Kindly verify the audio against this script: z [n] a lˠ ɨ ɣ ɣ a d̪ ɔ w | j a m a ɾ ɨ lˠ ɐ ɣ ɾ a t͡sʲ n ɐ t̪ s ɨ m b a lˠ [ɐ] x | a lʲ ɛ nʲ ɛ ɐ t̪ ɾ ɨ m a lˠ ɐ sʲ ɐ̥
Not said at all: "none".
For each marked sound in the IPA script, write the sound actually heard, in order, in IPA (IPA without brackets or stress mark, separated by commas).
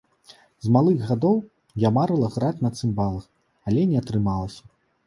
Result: m, ɐ